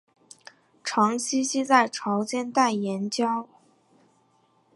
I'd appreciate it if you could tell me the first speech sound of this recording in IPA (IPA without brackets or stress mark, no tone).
ʈ͡ʂʰ